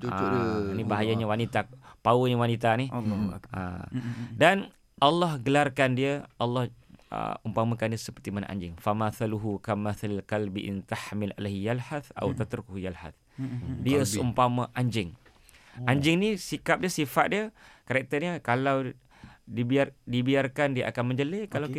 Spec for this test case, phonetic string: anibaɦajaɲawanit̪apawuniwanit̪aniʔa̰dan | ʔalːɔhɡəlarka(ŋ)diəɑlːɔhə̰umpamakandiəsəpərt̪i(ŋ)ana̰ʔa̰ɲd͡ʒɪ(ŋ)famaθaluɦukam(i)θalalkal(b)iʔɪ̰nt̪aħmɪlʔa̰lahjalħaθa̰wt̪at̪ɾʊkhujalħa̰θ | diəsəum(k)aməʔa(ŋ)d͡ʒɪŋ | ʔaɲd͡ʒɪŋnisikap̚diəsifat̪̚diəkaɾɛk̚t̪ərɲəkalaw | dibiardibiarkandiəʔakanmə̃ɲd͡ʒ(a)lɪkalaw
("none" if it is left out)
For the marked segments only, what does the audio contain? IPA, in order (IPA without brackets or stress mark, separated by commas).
n, m, ŋ, a, b, p, ɲ, ə